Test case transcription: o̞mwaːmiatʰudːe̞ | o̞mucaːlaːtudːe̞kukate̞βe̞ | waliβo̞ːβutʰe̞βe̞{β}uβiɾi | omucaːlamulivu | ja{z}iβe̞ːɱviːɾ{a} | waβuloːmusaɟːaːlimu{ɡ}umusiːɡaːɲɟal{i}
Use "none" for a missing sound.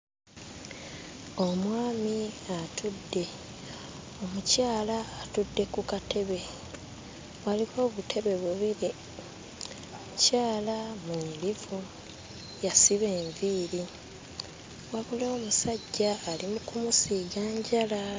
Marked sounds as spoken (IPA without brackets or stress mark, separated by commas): β, s, i, k, a